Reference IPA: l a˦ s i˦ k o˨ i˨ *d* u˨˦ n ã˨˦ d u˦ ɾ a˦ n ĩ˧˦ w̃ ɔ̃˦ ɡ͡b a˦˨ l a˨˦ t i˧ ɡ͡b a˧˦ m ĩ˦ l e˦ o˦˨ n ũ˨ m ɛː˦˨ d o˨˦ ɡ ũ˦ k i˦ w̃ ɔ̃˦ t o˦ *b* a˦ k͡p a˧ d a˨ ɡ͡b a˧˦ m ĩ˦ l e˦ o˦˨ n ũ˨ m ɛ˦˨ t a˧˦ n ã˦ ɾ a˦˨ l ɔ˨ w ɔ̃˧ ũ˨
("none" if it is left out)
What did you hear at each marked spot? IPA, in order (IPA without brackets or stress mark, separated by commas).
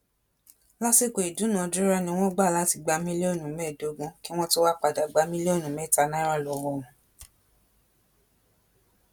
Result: d, w